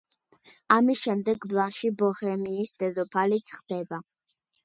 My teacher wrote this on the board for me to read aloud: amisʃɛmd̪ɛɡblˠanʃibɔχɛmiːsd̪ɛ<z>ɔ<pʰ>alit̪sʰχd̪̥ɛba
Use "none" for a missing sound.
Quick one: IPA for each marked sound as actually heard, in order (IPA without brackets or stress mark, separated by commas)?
z, pʰ